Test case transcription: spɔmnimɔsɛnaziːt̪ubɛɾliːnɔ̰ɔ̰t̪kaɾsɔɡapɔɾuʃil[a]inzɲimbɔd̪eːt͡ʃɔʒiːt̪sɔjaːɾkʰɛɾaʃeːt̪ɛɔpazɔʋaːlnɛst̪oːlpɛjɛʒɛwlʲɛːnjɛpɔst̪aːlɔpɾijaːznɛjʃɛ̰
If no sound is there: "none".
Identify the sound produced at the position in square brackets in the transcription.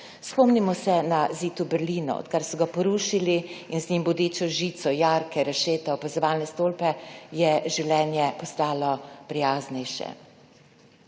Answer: i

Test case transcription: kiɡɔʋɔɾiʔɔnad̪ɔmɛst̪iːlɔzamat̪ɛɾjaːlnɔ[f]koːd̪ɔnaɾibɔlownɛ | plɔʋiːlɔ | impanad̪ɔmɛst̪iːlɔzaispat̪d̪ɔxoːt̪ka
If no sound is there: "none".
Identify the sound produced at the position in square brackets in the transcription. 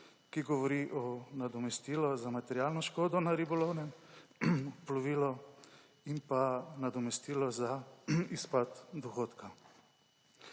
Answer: ʃ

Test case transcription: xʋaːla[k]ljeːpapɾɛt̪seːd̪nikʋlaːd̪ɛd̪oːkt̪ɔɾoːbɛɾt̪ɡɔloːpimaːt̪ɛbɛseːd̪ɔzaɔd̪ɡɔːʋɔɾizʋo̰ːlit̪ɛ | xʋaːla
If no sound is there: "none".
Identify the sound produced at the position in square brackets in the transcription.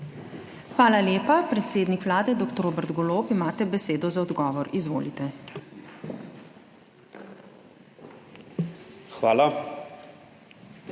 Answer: none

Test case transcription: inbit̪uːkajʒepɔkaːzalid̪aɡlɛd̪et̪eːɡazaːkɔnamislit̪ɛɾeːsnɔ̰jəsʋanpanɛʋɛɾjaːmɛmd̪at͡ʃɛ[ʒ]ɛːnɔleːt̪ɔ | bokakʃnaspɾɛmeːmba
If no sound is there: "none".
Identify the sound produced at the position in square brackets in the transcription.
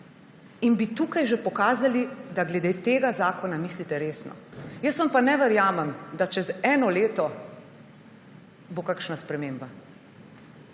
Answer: z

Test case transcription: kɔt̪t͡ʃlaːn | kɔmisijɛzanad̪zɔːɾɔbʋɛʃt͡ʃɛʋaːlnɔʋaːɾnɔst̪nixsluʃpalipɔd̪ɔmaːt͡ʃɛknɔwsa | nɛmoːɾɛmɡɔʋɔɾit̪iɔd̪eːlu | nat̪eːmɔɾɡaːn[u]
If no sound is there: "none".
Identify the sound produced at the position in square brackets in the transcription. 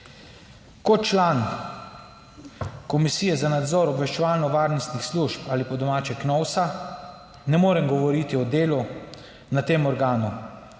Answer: u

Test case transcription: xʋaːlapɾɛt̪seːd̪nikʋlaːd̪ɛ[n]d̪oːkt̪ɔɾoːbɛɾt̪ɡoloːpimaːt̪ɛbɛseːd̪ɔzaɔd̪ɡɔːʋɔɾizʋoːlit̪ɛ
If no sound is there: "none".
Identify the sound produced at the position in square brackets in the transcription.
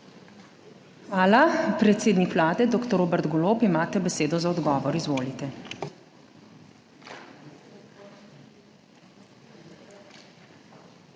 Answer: none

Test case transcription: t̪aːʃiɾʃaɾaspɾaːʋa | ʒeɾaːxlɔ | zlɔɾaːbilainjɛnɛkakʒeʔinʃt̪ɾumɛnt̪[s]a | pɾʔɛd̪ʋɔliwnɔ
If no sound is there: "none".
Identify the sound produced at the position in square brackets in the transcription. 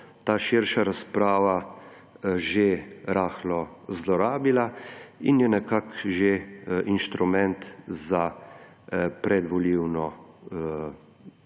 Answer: z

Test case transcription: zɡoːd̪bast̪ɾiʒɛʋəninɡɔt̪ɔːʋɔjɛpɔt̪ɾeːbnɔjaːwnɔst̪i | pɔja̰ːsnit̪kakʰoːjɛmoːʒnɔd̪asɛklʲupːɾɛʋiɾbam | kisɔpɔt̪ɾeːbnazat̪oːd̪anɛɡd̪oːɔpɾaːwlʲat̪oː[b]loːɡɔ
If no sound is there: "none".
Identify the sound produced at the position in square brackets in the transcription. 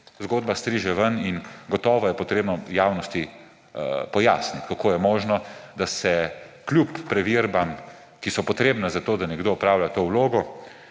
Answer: w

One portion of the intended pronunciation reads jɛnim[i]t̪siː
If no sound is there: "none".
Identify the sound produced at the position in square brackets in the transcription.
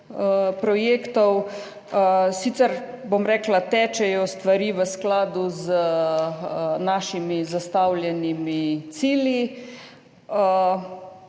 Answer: i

